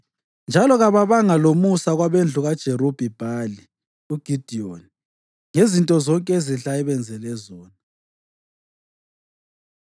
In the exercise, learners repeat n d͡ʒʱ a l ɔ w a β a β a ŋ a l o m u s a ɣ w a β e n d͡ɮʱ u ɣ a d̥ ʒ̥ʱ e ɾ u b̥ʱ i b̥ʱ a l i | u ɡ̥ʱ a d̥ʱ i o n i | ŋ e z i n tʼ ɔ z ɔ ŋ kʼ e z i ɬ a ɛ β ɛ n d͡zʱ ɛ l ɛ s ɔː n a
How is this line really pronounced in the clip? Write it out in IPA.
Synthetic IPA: n d͡ʒʱ a l ɔ ɣ a β a β a ŋ a l o m u s a ɣ w a β e n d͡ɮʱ u ɣ a d̥ ʒ̥ʱ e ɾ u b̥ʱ i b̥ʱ a l i | u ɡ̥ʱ i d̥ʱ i o n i | ŋ e z i n tʼ ɔ z ɔ ŋ kʼ e z i ɬ a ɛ β ɛ n d͡zʱ ɛ l ɛ z ɔː n a